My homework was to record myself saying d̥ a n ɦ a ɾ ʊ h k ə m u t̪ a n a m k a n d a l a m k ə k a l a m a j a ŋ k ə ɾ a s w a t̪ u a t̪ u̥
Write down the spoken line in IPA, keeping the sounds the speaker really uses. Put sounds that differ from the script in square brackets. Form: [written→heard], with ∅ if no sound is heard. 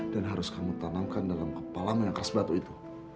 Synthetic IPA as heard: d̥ a n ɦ a ɾ ʊ [h→s] k [ə→a] m u t̪ a n a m k a n d a l a m k ə [k→p] a l a m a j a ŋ k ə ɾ a s [w→b] a t̪ u [a→i] t̪ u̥